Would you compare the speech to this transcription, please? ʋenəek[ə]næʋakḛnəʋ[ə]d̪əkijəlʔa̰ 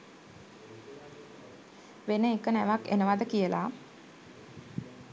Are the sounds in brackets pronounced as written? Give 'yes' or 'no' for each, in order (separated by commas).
yes, no